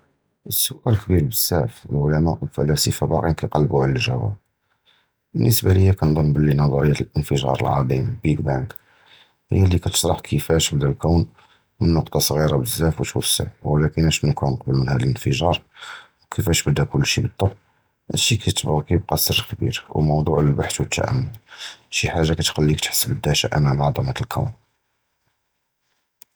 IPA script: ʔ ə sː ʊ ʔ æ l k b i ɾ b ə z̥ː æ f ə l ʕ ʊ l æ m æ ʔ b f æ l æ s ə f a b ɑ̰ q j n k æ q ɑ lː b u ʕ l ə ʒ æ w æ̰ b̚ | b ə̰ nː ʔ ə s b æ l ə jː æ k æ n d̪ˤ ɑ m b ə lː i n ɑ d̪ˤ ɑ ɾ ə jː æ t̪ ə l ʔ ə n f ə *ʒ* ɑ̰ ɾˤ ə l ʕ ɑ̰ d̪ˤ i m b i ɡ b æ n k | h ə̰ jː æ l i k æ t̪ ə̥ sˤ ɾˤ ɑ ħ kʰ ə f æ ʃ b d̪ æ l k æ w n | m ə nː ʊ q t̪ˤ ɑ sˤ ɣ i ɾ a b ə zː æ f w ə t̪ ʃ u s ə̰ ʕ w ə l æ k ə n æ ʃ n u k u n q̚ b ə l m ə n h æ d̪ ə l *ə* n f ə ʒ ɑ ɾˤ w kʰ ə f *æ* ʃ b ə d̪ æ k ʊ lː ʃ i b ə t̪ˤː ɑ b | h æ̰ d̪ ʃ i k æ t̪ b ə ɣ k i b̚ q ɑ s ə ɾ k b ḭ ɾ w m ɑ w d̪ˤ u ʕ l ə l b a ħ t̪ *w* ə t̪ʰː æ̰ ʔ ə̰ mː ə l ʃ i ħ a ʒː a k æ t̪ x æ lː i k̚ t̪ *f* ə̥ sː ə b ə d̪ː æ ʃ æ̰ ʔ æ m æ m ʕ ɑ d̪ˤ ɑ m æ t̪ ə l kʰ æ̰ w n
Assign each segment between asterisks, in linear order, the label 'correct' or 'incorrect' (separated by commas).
correct, correct, correct, correct, incorrect